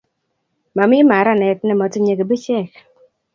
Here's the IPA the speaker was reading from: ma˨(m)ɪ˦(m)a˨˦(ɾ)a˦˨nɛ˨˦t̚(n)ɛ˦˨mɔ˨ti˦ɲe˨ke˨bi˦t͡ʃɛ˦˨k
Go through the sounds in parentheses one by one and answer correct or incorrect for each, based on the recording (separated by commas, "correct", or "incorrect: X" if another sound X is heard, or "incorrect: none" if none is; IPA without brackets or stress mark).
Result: correct, correct, correct, correct